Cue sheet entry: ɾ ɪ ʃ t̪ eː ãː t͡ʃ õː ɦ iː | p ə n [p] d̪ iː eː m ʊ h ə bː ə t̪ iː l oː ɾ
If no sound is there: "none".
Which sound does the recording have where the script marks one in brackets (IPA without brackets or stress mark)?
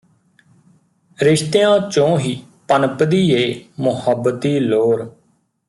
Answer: p